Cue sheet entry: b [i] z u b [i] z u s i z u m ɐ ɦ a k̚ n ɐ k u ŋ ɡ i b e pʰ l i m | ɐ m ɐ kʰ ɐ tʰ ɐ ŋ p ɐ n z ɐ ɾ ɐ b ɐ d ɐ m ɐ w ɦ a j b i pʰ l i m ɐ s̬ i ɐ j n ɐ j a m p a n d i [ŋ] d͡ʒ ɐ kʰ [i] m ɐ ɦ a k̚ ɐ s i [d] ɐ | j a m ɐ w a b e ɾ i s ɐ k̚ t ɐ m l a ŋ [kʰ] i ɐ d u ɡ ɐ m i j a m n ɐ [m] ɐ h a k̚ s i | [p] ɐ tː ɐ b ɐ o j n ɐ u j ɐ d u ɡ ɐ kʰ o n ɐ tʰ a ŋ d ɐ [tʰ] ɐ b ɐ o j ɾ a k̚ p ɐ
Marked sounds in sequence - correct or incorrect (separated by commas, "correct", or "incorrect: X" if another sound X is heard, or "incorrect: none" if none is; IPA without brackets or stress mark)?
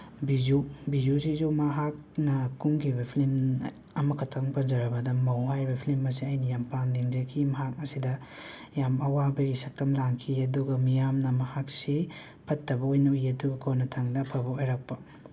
correct, correct, correct, correct, correct, correct, correct, incorrect: pʰ, incorrect: pʰ